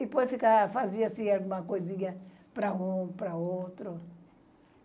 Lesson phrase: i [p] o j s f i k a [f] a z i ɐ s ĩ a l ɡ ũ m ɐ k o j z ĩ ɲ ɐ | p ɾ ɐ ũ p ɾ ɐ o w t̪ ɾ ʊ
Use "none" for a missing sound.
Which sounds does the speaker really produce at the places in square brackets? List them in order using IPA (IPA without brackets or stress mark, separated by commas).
p, f